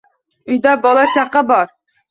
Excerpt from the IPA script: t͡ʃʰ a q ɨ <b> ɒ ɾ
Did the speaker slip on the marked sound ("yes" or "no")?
no